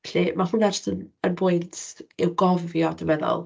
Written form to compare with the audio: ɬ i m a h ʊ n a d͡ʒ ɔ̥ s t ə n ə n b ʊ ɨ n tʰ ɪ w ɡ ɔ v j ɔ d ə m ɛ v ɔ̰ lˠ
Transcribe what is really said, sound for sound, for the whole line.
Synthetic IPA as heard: ɬ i m a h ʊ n a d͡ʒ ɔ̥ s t ə n ə n b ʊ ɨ n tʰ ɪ w ɡ ɔ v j ɔ d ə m ɛ ð ɔ̰ lˠ